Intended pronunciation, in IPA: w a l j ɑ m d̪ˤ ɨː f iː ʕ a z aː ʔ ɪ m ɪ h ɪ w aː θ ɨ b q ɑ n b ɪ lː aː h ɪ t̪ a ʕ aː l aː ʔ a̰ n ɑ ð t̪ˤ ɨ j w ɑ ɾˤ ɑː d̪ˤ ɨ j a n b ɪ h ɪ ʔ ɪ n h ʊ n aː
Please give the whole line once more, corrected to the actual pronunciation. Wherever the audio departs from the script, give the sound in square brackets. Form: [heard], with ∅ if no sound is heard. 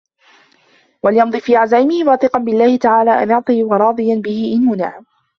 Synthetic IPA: w a l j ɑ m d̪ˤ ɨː f iː ʕ a z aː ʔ ɪ m ɪ h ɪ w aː θ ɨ [∅] q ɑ n b ɪ lː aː h ɪ t̪ a ʕ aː l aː ʔ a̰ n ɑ [ʕ] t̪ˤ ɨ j w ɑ ɾˤ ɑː d̪ˤ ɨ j a n b ɪ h ɪ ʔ ɪ n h ʊ n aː